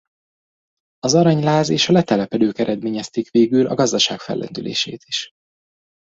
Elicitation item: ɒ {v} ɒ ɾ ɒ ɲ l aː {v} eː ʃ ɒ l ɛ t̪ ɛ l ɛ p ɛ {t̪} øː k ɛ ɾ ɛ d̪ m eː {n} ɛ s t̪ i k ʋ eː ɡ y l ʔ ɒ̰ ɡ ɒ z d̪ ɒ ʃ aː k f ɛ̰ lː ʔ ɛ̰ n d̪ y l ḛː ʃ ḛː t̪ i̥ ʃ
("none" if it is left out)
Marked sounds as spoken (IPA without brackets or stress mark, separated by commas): z, z, d̪, ɲ